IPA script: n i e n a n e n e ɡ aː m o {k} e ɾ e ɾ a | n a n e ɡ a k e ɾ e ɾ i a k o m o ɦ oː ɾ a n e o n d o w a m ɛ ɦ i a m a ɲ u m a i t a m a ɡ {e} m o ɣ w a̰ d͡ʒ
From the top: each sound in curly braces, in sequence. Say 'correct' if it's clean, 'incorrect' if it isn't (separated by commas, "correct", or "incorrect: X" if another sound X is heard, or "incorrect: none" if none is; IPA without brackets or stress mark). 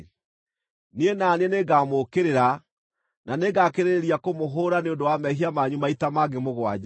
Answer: correct, correct